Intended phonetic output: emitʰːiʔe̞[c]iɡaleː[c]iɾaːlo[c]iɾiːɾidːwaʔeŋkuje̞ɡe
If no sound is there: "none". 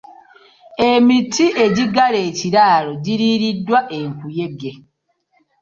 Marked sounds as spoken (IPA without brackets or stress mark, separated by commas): ɟ, c, ɟ